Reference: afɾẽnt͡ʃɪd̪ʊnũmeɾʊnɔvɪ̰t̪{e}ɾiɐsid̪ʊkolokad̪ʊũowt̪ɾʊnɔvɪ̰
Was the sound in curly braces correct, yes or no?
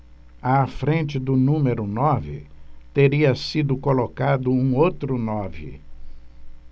yes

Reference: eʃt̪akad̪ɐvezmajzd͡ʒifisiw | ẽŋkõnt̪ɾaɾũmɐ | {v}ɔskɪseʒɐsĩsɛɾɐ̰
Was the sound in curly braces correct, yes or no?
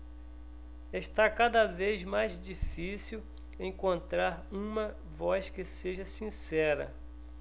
yes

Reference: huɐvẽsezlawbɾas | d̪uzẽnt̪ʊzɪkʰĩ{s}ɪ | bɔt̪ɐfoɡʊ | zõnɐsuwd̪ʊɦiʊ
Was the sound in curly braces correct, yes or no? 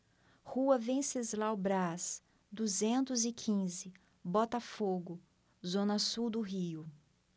no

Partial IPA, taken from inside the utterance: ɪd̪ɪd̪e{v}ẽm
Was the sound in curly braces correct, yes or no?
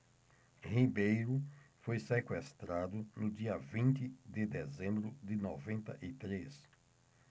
no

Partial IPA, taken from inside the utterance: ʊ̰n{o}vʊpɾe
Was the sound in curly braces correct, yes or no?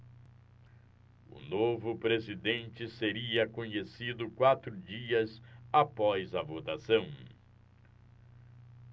yes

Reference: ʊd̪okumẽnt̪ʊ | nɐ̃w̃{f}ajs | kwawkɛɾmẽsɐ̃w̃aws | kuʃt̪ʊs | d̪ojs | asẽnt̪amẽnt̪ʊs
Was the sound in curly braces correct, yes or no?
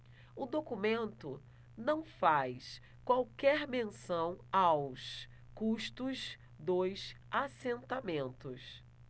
yes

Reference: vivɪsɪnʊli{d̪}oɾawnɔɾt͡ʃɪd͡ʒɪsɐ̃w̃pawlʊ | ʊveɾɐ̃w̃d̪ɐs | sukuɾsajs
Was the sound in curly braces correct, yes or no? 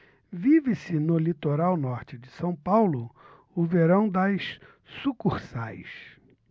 no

